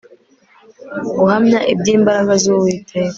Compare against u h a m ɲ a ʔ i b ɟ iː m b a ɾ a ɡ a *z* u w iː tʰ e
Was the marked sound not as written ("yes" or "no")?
no